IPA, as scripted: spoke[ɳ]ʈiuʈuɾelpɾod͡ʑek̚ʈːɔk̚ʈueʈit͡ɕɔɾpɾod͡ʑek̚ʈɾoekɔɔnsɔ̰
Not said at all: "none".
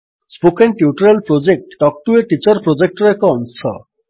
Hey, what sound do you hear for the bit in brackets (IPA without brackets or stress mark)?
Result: n